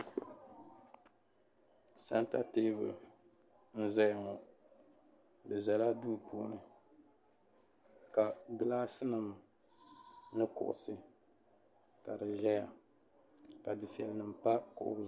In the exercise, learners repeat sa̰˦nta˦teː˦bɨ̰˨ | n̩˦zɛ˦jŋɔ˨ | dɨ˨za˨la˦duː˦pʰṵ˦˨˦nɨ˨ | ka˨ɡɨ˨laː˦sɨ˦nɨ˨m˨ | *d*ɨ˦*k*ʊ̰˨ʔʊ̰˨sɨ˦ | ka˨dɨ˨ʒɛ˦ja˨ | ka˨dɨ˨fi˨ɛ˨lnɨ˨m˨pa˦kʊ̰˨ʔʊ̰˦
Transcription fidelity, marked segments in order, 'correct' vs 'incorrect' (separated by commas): incorrect, correct